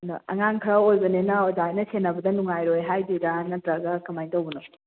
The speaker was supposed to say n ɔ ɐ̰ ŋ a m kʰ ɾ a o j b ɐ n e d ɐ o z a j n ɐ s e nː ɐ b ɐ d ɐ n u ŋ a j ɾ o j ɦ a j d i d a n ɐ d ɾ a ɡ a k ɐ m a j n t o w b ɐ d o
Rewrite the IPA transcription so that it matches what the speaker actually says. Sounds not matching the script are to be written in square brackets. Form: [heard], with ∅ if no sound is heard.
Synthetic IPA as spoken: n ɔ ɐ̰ ŋ a [ŋ] kʰ ɾ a o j b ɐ n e [n] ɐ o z a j n ɐ s e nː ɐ b ɐ d ɐ n u ŋ a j ɾ o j ɦ a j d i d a n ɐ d ɾ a ɡ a k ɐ m a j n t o w b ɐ [n] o

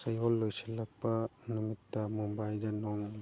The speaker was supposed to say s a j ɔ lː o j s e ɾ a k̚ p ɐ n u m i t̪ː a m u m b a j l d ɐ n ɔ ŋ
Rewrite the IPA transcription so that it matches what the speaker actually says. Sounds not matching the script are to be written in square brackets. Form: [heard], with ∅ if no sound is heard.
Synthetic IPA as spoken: s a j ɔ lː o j s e [l] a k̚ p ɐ n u m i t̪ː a m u m b a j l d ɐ n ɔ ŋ

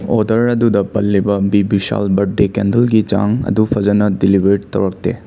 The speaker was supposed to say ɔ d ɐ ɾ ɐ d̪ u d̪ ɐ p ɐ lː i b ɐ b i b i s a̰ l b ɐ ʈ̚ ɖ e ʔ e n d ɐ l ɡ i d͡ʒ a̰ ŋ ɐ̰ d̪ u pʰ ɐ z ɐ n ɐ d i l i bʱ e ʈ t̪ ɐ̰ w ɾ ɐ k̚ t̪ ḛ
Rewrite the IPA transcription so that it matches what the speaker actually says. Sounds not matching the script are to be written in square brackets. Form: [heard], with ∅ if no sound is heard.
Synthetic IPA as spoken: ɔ d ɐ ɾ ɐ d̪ u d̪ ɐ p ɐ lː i b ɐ b i b i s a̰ l b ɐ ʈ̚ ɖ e [k] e n d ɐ l ɡ i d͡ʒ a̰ ŋ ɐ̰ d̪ u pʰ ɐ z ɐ n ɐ d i l i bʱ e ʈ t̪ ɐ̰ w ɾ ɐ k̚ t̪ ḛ

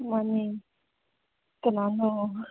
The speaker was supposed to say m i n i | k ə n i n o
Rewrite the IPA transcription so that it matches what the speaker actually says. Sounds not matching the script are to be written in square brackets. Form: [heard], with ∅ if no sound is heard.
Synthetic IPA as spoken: m [a] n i | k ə n [a] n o

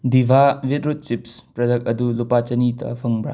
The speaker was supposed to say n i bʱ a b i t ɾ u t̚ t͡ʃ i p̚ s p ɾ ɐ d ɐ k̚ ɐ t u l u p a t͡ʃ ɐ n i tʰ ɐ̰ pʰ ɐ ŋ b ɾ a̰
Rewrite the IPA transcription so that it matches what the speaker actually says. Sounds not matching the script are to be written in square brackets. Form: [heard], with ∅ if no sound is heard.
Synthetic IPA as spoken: [d] i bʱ a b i t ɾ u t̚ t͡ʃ i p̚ s p ɾ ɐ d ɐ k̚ ɐ [d] u l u p a t͡ʃ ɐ n i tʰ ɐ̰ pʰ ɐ ŋ b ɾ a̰

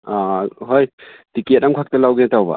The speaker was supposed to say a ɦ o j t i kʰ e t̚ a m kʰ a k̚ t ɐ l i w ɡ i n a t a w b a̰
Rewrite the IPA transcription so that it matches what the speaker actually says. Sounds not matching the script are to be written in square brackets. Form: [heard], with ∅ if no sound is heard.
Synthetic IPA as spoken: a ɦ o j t i [k] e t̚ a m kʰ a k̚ t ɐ l [a] w ɡ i n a t a w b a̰

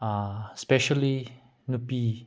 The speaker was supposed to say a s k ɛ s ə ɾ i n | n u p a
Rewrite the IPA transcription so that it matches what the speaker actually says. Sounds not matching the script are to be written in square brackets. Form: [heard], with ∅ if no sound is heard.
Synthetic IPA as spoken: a s [p] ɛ [ʃ] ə [l] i [∅] | n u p [i]

